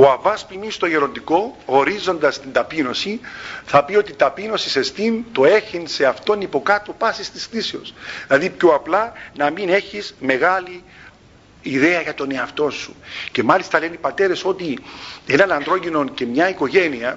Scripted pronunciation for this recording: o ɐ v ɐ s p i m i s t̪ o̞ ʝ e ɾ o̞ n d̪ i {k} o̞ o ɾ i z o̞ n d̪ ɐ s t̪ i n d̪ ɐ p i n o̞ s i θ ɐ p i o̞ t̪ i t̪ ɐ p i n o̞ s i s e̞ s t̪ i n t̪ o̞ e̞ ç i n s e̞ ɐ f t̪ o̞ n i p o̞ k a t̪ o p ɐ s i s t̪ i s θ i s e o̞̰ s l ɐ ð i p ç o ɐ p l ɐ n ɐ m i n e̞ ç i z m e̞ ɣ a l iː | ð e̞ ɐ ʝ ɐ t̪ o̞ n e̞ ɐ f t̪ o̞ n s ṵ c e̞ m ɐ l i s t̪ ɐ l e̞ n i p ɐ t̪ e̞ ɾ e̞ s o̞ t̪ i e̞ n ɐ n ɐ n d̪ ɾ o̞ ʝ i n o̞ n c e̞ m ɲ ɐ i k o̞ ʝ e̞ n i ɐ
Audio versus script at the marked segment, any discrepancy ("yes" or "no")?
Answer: no